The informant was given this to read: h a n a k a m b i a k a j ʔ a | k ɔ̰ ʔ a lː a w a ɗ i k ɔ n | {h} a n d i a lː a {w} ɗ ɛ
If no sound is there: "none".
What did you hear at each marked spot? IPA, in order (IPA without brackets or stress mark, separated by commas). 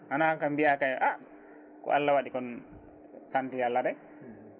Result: s, none